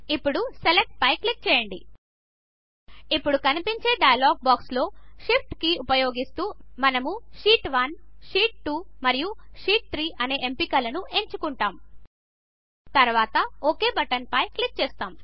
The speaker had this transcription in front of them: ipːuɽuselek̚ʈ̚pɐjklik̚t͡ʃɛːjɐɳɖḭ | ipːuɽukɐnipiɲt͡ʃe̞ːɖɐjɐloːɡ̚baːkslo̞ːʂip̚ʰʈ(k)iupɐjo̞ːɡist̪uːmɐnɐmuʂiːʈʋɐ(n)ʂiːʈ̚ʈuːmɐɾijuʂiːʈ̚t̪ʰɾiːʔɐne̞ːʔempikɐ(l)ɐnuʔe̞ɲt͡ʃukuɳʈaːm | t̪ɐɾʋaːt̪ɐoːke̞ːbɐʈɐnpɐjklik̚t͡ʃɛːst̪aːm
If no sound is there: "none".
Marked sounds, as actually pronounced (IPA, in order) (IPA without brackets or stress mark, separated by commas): k, n, l